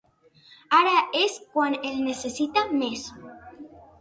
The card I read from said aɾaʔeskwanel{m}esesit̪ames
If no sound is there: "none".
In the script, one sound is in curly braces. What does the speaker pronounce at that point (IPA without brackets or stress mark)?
n